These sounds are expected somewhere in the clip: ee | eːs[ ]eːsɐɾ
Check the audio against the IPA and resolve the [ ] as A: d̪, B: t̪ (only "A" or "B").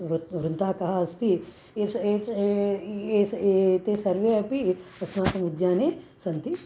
B